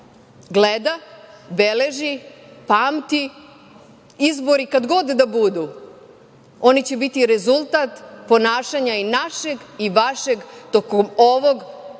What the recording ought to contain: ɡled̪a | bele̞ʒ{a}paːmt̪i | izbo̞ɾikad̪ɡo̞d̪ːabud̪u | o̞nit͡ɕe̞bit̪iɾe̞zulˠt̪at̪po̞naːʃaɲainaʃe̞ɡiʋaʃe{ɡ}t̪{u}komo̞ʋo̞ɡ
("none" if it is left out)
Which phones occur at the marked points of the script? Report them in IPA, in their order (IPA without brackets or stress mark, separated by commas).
i, ɡ, o